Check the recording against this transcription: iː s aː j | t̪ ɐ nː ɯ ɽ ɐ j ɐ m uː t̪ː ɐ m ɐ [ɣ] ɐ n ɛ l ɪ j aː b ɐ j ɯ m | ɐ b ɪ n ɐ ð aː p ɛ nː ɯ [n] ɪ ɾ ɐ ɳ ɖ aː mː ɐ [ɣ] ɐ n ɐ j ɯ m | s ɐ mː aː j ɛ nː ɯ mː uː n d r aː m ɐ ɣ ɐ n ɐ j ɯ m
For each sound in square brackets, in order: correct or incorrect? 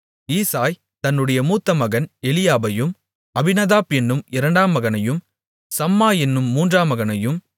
correct, incorrect: m, correct

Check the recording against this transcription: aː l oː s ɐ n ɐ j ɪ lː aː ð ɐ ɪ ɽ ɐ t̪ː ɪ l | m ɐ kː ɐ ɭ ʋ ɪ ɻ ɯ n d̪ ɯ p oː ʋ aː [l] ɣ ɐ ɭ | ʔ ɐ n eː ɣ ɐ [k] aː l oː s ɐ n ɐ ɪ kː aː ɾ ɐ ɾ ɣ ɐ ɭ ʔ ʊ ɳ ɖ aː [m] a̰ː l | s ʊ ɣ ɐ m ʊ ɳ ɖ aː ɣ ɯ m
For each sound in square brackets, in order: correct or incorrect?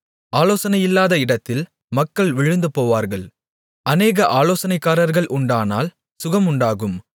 incorrect: ɾ, incorrect: ʔ, incorrect: n

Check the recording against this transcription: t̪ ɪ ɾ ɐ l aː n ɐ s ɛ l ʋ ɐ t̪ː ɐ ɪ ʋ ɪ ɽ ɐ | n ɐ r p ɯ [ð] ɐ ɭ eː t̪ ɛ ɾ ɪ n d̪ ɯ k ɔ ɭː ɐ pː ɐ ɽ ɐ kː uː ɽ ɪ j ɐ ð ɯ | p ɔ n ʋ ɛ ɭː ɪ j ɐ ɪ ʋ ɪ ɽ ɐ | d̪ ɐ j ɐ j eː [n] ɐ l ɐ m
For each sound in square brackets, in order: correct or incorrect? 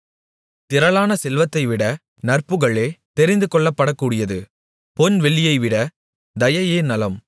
incorrect: ɣ, correct

